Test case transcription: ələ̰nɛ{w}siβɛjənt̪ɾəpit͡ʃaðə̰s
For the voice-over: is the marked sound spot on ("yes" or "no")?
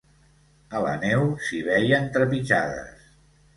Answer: yes